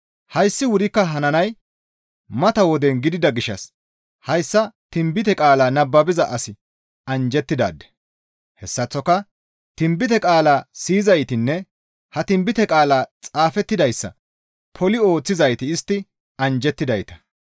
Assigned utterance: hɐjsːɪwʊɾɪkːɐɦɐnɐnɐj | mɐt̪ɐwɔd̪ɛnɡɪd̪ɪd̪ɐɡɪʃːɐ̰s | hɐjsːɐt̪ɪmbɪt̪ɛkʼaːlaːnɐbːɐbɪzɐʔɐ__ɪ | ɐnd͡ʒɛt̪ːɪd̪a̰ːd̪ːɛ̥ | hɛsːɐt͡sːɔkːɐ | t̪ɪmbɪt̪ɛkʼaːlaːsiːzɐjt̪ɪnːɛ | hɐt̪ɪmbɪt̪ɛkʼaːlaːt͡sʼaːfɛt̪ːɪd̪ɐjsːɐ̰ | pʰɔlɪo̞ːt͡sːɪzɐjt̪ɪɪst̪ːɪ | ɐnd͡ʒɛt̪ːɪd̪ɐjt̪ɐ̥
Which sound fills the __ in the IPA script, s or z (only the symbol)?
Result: s